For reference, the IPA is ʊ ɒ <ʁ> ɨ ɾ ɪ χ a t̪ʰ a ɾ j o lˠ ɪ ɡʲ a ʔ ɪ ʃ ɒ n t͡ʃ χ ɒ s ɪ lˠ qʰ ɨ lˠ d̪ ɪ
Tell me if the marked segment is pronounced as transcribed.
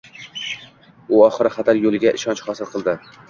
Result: no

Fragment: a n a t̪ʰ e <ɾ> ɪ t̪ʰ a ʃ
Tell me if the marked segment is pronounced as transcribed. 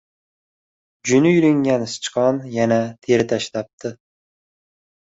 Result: yes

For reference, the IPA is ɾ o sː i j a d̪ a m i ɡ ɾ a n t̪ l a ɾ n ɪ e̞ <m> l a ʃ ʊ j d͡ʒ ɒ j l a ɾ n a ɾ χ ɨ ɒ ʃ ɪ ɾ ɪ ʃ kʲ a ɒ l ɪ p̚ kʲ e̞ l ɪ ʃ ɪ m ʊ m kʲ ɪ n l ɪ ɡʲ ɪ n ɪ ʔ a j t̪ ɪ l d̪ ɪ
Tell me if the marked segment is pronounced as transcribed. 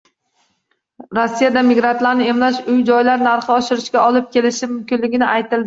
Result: yes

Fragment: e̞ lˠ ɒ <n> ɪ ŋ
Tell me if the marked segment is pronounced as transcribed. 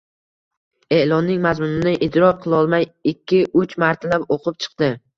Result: no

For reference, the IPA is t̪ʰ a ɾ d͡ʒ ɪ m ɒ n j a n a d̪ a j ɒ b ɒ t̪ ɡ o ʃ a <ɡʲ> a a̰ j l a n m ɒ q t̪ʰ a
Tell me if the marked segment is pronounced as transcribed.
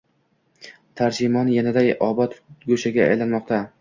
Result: yes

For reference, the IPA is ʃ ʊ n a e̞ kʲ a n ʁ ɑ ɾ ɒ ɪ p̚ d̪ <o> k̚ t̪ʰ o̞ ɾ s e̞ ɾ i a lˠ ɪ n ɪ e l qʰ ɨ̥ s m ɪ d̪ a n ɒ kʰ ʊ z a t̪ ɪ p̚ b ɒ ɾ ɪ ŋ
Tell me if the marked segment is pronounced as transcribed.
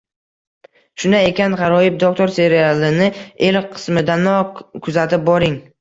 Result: yes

